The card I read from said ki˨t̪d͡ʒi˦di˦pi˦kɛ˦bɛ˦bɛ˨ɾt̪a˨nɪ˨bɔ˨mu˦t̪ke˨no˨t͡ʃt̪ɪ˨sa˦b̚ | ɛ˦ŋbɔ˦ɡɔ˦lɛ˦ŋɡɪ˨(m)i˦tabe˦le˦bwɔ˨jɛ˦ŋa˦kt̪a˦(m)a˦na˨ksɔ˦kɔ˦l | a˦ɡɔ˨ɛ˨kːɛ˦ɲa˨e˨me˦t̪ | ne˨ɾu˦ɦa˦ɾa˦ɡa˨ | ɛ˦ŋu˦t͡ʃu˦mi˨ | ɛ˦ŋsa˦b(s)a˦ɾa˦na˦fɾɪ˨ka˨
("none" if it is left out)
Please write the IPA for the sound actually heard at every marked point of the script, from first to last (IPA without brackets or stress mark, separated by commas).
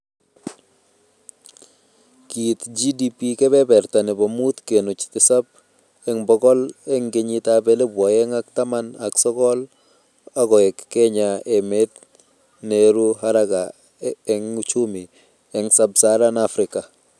ɲ, m, s